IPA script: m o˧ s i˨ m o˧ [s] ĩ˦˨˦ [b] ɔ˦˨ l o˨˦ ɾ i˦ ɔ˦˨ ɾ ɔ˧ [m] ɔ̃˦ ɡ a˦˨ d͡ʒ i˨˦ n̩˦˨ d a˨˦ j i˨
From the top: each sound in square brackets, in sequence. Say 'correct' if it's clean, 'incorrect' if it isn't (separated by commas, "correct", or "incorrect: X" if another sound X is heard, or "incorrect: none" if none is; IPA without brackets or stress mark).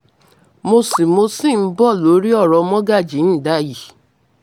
correct, correct, correct